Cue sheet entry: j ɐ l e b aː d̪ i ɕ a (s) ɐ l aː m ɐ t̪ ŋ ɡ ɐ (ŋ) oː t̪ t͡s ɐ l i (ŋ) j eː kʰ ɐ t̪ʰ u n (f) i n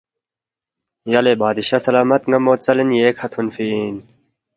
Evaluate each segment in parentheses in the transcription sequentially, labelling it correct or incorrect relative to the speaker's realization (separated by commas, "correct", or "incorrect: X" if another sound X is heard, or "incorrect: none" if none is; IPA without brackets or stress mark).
correct, incorrect: m, incorrect: n, correct